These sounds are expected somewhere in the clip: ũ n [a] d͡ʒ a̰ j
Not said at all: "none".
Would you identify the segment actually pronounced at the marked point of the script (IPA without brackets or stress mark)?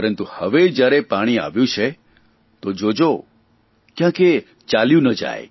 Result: ə